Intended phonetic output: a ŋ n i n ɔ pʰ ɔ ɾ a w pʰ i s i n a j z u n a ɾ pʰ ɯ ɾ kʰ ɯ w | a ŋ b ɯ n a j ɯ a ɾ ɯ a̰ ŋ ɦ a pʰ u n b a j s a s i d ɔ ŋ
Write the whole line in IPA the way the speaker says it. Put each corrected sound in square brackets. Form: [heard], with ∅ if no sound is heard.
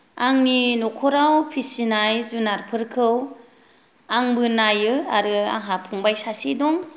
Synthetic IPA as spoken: a ŋ n i n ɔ [kʰ] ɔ ɾ a w pʰ i s i n a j z u n a ɾ pʰ ɯ ɾ kʰ ɯ w | a ŋ b ɯ n a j ɯ a ɾ ɯ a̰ ŋ ɦ a pʰ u [ŋ] b a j s a s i d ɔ ŋ